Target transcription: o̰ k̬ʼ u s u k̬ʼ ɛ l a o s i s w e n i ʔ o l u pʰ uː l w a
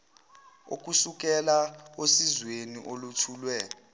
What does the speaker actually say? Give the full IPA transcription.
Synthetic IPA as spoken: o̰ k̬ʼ u s u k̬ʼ ɛ l a o s i z w e n i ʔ o l u tʰ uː l w ɛ